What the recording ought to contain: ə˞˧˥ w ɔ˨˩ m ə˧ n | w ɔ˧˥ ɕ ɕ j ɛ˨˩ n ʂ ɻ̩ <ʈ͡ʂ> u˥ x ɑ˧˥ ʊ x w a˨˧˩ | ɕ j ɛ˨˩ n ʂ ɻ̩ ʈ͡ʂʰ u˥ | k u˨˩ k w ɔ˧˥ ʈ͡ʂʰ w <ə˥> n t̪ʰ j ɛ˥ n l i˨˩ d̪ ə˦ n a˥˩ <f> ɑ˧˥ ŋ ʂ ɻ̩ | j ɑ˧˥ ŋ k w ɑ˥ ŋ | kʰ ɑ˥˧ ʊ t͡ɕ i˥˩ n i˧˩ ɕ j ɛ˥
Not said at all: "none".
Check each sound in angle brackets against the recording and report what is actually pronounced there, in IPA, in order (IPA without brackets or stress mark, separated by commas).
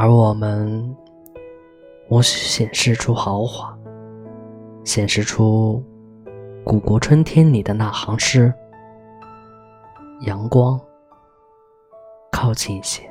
ʈ͡ʂʰ, ə˥, x